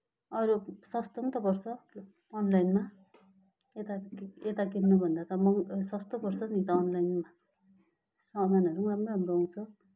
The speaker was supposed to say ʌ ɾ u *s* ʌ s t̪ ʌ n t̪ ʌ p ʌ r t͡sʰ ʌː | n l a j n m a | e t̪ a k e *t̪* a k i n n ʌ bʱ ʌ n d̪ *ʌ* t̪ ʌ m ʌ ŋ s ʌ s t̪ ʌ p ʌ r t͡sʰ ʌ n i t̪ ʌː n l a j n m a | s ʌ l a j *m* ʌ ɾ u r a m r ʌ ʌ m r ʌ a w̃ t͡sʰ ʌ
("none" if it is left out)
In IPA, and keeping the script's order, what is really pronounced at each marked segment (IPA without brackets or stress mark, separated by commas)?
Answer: s, t̪, a, n